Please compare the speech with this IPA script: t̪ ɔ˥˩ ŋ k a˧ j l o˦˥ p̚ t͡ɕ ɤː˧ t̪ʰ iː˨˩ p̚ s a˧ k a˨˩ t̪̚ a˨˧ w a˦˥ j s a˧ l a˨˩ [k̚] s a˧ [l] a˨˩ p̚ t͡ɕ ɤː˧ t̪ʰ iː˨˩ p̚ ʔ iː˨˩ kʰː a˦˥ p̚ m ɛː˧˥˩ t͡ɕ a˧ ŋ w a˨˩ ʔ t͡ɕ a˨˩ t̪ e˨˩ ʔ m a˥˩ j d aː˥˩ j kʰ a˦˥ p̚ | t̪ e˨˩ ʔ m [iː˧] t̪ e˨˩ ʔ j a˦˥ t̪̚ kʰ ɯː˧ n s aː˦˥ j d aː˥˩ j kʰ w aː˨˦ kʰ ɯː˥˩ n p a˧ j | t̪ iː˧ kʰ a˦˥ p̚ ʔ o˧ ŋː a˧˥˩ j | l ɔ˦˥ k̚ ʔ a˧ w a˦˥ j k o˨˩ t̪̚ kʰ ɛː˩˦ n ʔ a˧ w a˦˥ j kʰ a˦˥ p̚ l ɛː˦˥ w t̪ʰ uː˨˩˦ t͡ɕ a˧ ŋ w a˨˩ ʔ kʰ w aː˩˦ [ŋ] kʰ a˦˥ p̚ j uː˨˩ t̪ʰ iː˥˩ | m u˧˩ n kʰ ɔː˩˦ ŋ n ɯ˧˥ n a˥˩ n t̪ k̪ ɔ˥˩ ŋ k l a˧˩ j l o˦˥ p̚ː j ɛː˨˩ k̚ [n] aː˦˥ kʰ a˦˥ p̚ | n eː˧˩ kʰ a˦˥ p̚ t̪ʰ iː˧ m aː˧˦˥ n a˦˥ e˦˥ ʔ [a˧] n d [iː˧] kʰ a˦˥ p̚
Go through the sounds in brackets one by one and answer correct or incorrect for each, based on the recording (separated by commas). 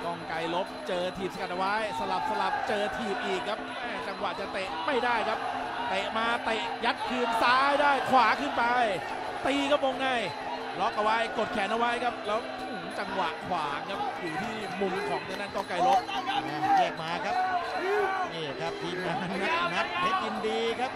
incorrect, correct, incorrect, correct, incorrect, incorrect, correct